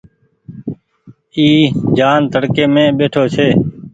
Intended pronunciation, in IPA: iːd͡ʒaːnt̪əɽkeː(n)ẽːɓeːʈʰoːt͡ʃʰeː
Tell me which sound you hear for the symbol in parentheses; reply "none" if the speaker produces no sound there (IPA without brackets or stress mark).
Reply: m